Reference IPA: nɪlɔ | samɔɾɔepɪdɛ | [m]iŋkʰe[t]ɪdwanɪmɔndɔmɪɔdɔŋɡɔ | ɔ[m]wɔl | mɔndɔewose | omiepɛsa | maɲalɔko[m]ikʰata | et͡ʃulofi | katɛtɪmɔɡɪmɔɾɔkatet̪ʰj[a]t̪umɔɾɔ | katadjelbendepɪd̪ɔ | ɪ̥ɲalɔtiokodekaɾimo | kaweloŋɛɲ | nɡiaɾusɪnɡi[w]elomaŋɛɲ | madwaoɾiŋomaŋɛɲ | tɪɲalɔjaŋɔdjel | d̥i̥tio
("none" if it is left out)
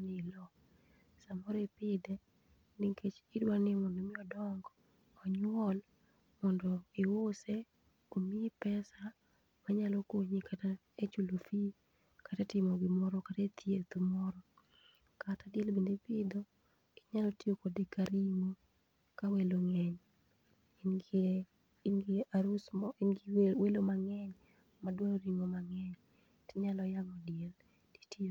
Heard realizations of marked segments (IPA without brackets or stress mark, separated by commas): n, t͡ʃ, ɲ, ɲ, e, w